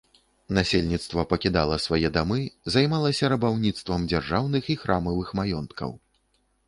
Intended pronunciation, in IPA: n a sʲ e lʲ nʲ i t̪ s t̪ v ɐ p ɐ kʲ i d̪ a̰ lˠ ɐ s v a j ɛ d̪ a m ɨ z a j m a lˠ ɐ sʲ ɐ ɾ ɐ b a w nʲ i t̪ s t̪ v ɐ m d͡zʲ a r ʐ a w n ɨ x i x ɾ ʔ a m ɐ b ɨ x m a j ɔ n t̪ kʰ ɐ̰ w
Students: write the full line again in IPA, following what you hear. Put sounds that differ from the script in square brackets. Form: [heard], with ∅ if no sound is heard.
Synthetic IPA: n a sʲ e lʲ nʲ i t̪ s t̪ v ɐ p ɐ kʲ i d̪ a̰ lˠ ɐ s v a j ɛ d̪ a m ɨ z a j m a lˠ ɐ sʲ ɐ ɾ ɐ b a w nʲ i t̪ s t̪ v ɐ m d͡zʲ a r ʐ a w n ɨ x i x ɾ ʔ a m ɐ [v] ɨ x m a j ɔ n t̪ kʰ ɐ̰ w